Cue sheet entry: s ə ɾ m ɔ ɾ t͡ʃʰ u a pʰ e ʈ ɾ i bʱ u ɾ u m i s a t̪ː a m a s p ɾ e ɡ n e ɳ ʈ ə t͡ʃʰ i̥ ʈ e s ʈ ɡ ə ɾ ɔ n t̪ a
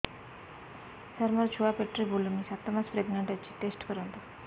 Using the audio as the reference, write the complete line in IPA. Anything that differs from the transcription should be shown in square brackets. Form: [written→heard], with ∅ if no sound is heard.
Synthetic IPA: s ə ɾ m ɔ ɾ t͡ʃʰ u a [pʰ→p] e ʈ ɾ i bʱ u [ɾ→l] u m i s a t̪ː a m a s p ɾ e ɡ n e ɳ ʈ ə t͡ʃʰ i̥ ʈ e s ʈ [ɡ→k] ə ɾ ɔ n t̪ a